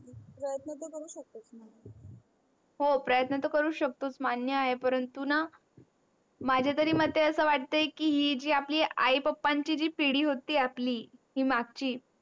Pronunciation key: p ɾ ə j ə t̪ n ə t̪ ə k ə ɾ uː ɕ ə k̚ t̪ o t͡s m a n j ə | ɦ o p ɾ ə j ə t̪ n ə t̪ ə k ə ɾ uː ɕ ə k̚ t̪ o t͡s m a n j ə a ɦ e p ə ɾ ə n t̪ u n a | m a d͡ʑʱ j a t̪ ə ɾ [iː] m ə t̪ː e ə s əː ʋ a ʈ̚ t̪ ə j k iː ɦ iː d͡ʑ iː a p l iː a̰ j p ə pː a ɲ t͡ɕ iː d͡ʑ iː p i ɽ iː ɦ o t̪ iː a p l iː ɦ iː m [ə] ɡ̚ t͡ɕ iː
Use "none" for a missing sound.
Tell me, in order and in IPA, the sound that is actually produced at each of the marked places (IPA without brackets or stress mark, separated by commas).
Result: iː, a